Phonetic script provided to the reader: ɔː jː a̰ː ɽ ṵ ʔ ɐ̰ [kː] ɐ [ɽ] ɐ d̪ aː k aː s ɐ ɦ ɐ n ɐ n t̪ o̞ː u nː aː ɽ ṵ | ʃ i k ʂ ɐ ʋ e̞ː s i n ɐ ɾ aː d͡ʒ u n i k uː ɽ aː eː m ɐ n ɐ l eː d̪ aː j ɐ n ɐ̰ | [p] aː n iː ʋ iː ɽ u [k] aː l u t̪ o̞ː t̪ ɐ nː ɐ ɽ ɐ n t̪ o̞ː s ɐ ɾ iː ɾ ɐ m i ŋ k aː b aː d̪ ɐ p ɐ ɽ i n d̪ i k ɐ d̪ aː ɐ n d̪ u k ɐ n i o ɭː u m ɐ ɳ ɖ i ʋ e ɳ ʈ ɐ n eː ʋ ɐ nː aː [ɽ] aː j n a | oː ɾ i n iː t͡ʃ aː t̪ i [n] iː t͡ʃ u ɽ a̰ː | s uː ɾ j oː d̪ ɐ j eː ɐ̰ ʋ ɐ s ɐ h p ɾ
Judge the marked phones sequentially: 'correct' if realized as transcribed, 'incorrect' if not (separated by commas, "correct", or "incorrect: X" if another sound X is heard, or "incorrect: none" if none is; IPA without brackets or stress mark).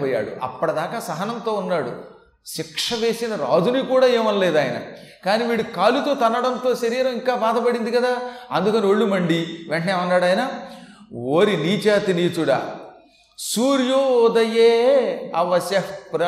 incorrect: pː, correct, incorrect: k, correct, correct, correct